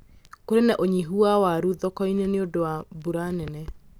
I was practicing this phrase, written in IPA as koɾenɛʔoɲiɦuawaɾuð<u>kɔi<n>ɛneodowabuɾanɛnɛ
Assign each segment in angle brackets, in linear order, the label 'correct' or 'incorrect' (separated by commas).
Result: incorrect, correct